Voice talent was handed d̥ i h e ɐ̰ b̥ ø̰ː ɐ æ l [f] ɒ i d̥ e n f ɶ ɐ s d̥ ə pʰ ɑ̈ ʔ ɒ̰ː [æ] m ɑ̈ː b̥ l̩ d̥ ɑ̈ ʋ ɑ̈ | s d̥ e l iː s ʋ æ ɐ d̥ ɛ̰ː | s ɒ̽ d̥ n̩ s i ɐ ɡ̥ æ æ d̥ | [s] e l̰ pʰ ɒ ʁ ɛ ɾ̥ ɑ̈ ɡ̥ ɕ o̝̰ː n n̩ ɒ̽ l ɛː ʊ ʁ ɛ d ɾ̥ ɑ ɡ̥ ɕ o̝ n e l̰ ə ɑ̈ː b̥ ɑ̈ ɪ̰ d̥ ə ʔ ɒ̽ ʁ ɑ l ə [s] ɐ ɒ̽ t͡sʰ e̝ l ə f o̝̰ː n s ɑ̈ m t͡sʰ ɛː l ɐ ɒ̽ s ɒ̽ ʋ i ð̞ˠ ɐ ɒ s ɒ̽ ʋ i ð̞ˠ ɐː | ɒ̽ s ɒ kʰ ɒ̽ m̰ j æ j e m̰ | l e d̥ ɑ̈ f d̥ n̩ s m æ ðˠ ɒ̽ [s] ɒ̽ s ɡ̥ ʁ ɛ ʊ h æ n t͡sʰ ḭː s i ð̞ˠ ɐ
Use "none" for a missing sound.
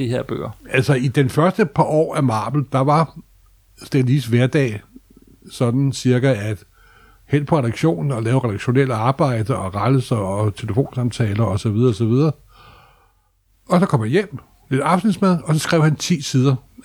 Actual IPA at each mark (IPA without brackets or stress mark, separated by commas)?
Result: s, æ, h, s, s